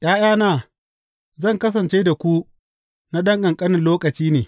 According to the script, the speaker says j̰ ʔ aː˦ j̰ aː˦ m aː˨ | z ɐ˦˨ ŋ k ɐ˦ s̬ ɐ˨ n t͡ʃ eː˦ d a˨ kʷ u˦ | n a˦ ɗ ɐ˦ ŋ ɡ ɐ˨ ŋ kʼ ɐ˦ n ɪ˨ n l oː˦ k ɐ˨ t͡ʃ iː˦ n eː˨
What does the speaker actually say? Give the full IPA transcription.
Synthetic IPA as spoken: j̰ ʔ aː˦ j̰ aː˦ n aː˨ | z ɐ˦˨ ŋ k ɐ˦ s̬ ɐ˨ n t͡ʃ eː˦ d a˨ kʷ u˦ | n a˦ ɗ ɐ˦ ŋ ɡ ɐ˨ ŋ kʼ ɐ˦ n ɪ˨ n l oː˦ k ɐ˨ t͡ʃ iː˦ n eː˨